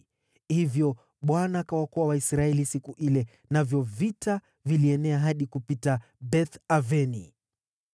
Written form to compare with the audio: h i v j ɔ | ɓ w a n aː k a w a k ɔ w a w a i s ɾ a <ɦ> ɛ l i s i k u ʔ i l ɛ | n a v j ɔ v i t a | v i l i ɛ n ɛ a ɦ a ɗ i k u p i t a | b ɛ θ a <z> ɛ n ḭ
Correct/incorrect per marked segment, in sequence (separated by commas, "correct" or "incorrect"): incorrect, incorrect